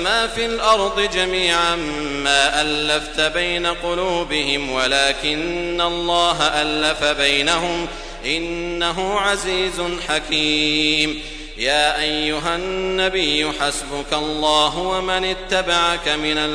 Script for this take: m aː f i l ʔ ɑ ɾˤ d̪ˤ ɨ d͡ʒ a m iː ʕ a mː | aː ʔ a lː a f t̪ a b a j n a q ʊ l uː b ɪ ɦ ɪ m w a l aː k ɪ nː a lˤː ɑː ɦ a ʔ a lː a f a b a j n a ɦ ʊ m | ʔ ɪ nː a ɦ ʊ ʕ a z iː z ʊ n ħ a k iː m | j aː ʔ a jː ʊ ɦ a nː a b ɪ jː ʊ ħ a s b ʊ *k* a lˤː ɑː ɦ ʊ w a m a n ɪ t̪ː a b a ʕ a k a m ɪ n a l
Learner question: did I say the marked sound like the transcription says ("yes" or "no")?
yes